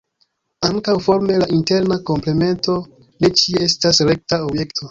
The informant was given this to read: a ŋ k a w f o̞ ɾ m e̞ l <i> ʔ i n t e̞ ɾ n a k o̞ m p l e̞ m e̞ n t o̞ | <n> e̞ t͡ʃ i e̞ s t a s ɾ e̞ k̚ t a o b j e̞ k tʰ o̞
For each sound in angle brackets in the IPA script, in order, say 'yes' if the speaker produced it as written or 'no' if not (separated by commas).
no, yes